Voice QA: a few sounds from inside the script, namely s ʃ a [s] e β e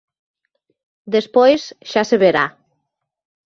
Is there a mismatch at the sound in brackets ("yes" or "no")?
no